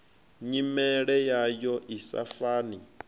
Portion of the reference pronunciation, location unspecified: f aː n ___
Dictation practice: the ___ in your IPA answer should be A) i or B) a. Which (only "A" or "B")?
A